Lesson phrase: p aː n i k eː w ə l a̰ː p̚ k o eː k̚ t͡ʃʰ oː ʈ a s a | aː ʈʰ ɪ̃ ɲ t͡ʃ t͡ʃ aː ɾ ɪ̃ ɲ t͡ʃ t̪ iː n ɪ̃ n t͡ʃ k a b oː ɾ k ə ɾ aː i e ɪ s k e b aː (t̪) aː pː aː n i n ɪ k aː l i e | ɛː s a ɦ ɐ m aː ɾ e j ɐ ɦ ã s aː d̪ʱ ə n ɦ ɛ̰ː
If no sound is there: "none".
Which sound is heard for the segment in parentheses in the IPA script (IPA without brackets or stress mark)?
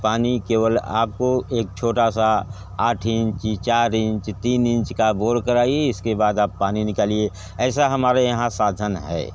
d̪